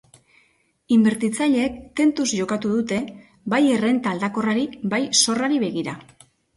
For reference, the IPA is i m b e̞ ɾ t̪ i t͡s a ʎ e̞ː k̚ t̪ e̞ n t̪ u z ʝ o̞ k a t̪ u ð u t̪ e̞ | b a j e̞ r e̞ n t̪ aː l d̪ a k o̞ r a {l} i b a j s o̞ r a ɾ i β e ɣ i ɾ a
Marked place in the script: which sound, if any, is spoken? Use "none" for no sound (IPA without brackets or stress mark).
ɾ